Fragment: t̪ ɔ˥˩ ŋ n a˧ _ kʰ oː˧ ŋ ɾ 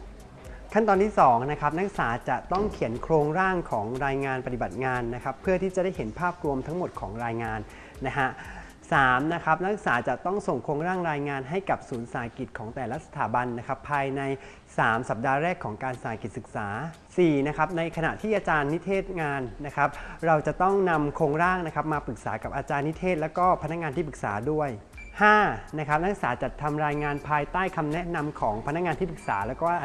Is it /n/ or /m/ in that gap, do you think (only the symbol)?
m